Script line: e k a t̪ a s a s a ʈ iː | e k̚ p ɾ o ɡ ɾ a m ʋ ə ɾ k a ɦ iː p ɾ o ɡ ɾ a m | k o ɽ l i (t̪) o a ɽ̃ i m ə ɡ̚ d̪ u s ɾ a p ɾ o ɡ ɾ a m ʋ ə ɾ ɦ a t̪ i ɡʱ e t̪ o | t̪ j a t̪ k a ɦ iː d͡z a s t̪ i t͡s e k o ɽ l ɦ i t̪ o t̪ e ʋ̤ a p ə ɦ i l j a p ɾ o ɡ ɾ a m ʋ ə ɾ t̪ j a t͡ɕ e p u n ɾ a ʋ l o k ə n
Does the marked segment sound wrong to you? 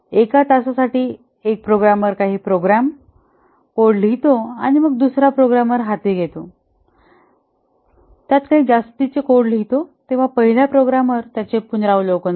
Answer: no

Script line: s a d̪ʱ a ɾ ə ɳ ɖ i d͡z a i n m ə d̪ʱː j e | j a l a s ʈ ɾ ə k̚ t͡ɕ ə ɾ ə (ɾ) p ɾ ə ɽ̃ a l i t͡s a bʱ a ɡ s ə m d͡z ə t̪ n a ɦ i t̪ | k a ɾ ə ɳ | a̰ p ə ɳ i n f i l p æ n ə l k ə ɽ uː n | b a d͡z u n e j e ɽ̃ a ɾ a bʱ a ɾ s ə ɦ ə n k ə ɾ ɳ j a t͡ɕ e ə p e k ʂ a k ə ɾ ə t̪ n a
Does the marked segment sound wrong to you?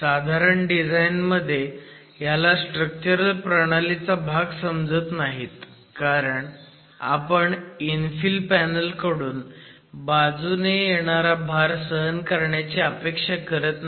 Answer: yes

